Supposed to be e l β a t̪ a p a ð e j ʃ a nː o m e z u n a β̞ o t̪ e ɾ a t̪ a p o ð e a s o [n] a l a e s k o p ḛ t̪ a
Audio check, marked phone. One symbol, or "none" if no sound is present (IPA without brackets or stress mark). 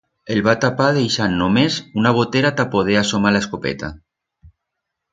m